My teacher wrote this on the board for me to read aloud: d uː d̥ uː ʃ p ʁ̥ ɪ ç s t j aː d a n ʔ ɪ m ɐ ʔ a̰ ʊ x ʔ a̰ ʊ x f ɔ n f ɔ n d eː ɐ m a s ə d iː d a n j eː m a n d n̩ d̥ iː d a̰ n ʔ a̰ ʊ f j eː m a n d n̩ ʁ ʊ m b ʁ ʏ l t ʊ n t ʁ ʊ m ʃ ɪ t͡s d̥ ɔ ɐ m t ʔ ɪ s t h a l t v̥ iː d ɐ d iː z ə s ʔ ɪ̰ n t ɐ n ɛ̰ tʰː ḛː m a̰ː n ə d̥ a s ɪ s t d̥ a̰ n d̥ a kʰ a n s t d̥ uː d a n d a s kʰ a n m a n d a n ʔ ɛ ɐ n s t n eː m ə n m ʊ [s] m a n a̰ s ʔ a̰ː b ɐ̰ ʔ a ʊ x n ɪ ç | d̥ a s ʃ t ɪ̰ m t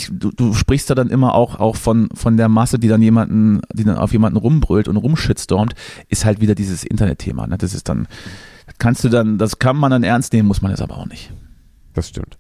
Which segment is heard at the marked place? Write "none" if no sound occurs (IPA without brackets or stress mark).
s